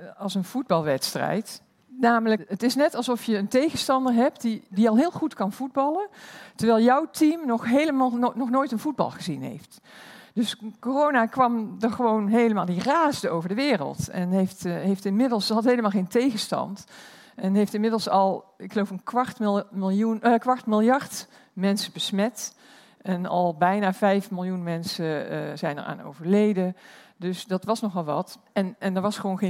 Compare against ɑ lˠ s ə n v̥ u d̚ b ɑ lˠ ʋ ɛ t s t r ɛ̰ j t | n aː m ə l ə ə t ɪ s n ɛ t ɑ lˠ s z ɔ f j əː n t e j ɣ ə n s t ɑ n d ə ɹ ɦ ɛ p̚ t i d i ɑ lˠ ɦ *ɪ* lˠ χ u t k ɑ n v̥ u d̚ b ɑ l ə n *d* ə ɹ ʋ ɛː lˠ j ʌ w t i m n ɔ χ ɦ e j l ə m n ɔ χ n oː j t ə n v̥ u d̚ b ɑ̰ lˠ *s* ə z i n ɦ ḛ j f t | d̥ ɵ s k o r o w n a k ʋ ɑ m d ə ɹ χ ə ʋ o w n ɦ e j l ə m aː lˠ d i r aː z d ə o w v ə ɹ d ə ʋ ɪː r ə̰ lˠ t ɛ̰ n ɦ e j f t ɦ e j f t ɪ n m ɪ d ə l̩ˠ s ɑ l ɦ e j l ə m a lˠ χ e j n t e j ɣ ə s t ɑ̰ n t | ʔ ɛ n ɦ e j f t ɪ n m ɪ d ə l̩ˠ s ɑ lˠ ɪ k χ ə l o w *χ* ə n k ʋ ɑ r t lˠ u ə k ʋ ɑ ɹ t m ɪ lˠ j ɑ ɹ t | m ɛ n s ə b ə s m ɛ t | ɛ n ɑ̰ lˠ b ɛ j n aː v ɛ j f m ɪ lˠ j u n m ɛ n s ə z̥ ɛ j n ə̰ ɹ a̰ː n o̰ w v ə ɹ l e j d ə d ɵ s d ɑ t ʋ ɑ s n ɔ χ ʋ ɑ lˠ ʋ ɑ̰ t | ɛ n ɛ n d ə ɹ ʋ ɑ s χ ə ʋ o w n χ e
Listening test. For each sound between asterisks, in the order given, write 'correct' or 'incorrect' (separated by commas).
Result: incorrect, incorrect, incorrect, incorrect